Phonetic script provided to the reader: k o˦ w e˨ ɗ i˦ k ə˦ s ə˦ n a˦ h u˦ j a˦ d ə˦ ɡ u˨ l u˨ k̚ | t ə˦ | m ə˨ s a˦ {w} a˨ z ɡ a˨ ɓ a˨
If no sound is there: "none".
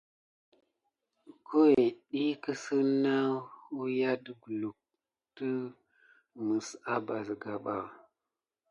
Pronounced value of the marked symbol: b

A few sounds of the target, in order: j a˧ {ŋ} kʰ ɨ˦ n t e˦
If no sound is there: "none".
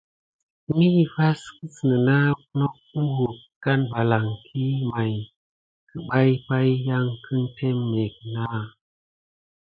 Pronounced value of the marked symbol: ŋ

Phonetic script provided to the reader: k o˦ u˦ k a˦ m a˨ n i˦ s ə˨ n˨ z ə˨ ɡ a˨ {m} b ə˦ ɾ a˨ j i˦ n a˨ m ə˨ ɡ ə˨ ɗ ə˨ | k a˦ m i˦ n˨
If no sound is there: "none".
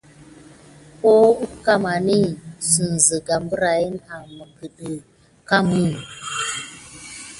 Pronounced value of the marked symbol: m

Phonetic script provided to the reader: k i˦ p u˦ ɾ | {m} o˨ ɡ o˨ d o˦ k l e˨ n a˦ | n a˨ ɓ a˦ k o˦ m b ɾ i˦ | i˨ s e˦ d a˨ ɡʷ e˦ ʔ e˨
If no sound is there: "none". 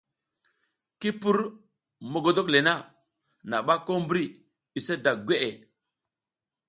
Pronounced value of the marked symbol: m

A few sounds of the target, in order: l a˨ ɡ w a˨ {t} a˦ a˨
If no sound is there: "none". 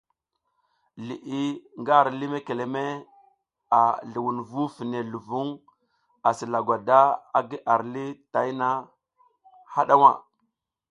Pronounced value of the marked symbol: d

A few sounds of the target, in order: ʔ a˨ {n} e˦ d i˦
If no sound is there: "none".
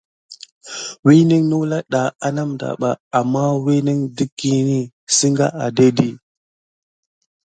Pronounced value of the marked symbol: d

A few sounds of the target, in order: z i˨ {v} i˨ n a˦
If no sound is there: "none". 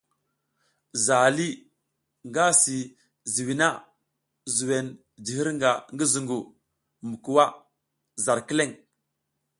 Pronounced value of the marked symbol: w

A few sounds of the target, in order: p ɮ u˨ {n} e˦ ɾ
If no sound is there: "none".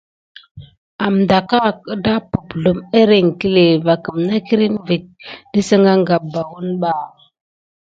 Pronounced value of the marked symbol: m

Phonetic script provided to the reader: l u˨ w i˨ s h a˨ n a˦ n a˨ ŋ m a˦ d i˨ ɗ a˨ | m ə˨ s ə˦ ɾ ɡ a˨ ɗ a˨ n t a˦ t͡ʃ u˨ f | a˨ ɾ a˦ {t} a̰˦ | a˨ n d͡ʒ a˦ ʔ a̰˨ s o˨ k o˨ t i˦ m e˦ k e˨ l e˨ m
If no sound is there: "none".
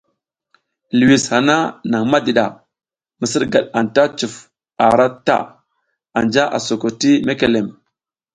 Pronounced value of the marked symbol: t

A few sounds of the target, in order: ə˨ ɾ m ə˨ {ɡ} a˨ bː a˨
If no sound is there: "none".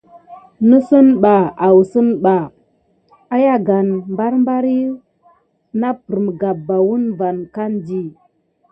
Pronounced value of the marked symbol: ɡ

